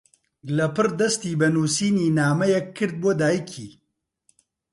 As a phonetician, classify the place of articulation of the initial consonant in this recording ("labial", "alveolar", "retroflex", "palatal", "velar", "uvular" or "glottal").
alveolar